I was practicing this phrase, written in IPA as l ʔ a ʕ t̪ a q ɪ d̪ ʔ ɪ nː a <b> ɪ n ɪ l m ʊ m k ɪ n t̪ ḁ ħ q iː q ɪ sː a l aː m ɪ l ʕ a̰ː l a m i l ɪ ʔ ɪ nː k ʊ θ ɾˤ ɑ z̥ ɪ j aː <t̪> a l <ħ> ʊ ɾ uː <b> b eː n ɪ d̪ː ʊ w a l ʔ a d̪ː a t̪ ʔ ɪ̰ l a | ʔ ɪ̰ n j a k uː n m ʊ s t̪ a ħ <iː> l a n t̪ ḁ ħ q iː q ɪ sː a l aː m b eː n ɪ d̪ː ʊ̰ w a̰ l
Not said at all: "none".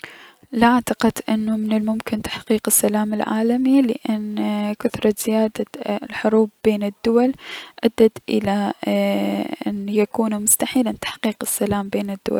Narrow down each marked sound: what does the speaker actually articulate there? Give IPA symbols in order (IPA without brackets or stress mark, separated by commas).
m, d̪, ħ, b, iː